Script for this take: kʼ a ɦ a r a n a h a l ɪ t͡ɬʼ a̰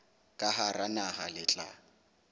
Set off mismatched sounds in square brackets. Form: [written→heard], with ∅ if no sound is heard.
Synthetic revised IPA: kʼ a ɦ a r a n a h a l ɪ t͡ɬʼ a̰